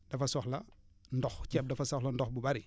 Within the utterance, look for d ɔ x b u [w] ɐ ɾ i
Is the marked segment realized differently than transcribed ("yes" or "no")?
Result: yes